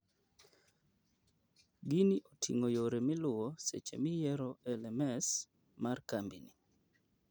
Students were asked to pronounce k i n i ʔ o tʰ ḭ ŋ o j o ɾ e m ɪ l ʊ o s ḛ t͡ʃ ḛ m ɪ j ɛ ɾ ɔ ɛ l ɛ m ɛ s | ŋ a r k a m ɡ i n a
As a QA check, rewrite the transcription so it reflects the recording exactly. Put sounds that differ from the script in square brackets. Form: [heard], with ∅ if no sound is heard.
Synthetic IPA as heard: [ɡ] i n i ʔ o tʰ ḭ ŋ o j o ɾ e m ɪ l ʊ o s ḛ t͡ʃ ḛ m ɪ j ɛ ɾ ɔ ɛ l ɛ m ɛ s | [m] a r k a m [b] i n [i]